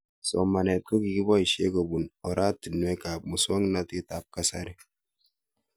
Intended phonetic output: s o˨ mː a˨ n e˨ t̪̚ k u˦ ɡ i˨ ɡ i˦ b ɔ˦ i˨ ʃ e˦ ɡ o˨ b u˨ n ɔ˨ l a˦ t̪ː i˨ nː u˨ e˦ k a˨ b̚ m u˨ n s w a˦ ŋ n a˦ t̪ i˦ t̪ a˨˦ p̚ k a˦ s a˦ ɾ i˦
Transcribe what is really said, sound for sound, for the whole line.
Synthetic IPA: s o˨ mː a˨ n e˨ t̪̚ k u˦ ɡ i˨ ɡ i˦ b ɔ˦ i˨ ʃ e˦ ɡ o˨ b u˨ n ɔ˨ ɾ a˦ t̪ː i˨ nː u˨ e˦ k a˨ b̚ m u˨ s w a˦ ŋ n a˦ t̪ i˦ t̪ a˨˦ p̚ k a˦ s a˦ ɾ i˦